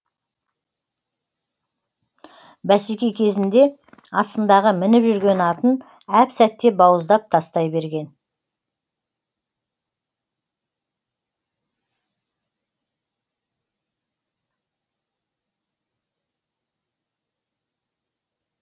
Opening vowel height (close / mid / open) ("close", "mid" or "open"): open